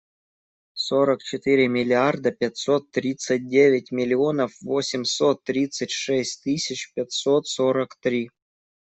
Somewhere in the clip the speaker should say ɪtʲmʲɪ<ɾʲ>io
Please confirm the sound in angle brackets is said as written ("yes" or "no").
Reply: no